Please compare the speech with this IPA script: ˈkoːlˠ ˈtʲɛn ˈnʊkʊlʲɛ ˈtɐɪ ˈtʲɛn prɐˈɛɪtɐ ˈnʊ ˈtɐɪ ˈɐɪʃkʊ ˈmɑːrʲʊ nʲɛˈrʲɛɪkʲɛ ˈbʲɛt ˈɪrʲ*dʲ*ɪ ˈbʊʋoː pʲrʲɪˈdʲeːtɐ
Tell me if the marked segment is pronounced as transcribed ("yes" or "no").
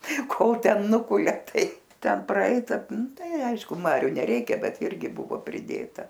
no